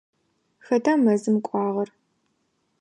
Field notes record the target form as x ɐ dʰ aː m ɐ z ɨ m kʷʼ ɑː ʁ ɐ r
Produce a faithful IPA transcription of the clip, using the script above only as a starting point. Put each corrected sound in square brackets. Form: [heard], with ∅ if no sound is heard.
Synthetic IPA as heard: x ɐ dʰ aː m ɐ z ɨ m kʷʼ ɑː ʁ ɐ r